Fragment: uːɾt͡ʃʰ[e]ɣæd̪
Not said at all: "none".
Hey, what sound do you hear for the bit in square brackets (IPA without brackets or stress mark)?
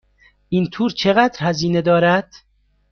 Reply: e